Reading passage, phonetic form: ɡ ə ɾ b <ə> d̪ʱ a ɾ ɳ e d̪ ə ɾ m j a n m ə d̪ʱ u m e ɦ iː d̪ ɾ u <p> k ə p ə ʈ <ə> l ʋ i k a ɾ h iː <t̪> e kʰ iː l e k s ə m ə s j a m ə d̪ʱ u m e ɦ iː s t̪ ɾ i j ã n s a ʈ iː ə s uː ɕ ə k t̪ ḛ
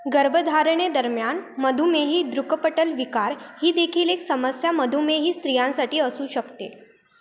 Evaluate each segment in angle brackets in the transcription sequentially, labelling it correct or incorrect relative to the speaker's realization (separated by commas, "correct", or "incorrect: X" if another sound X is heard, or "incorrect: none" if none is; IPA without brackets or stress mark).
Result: correct, incorrect: none, correct, incorrect: d̪